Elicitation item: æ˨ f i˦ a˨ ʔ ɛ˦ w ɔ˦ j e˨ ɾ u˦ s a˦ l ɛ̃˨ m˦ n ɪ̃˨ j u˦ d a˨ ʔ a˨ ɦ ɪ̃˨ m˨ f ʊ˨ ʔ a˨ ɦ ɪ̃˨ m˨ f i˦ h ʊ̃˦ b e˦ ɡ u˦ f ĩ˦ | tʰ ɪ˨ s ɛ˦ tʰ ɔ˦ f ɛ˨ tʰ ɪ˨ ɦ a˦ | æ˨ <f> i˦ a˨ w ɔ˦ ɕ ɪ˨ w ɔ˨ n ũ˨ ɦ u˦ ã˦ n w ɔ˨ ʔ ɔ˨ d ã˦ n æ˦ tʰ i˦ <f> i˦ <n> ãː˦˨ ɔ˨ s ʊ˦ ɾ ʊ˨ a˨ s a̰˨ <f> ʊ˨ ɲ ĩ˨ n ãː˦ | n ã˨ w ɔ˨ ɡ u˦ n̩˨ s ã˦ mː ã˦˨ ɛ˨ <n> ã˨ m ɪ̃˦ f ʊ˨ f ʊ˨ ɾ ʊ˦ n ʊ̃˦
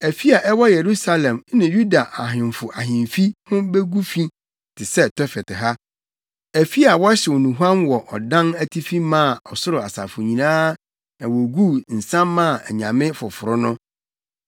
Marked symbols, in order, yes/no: yes, yes, no, yes, no

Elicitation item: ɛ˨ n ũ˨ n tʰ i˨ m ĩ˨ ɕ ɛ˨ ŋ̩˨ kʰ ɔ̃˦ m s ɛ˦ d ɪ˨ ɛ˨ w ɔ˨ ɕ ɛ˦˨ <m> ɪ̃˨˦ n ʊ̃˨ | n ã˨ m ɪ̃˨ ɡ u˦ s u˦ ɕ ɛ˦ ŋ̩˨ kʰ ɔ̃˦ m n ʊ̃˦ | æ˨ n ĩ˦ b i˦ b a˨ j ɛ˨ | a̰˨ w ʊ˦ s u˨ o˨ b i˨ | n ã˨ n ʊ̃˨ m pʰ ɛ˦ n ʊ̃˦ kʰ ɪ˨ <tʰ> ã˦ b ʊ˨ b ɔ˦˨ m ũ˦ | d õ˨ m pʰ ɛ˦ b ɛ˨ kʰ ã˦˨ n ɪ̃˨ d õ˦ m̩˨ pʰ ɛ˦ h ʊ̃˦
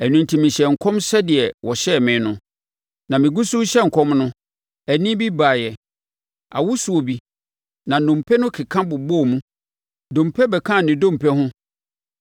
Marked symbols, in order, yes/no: yes, no

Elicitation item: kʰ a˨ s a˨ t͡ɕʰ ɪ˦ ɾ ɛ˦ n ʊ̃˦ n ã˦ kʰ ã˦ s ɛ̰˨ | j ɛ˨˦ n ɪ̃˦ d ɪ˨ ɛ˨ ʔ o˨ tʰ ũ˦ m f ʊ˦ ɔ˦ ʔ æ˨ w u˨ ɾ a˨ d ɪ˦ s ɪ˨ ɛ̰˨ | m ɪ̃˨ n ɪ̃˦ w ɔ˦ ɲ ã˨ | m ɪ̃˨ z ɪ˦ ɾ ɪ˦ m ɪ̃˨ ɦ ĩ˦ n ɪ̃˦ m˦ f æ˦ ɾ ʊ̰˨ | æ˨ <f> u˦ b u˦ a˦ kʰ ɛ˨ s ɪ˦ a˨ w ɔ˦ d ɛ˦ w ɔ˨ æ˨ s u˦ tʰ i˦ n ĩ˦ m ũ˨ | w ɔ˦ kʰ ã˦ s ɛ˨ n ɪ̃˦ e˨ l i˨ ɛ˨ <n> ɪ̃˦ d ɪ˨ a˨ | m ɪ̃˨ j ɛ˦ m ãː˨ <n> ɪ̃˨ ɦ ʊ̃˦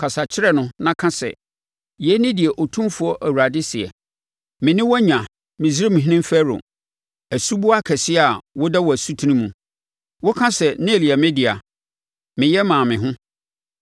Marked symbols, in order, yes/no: no, no, no

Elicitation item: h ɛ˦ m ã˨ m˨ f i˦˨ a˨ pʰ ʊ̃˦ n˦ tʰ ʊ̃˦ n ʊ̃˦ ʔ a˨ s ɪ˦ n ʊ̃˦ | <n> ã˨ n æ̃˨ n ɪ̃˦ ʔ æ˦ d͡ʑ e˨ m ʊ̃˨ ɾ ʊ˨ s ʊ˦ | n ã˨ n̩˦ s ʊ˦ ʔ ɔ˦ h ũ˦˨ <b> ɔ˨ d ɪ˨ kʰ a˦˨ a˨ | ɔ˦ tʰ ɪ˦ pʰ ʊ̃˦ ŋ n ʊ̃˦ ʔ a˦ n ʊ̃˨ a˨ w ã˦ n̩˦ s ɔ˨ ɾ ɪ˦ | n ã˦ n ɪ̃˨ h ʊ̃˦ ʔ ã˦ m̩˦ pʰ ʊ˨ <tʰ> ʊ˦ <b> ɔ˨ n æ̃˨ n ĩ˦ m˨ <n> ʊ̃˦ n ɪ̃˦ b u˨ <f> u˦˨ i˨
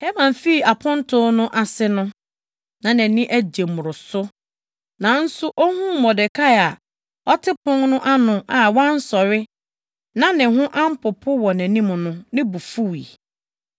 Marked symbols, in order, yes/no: yes, no, no, no, yes, yes

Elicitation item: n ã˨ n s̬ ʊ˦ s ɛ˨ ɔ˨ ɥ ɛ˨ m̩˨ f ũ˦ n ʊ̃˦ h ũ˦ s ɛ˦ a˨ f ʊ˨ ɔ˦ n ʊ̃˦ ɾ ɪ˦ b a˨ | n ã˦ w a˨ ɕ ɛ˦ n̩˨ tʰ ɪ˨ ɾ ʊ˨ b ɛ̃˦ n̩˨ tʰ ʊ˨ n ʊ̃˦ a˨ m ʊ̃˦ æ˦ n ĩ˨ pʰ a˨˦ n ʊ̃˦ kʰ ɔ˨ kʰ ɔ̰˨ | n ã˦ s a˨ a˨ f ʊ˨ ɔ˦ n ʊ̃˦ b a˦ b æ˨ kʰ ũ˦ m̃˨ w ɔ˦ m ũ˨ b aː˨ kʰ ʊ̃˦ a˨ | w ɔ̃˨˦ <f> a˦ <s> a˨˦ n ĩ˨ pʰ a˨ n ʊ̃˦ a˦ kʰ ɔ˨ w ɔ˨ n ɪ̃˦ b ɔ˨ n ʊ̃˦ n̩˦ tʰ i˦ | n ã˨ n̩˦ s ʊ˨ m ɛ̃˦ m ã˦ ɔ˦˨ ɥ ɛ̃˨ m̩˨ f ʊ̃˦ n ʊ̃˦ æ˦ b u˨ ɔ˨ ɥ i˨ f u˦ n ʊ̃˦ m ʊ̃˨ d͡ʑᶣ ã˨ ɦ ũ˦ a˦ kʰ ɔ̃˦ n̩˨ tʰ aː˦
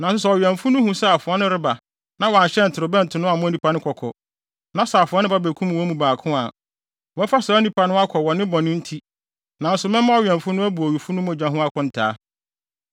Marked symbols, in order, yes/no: yes, yes

